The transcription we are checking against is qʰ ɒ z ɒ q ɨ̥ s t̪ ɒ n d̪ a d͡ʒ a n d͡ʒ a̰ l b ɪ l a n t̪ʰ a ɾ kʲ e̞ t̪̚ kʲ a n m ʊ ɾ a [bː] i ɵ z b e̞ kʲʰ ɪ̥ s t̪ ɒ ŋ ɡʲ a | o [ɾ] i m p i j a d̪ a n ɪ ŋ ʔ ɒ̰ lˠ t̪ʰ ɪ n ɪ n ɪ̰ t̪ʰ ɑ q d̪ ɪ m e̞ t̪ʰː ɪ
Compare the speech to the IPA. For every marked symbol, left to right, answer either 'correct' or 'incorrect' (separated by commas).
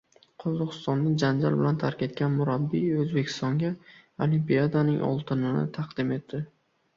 correct, incorrect